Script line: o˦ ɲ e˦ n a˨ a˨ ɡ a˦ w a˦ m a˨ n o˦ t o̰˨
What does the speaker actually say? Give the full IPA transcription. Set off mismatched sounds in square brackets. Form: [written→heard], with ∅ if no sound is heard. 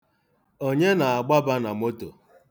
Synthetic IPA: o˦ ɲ e˦ n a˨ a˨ [ɡ→ɡ͡b] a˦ [w→b] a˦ [m→n] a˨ [n→m] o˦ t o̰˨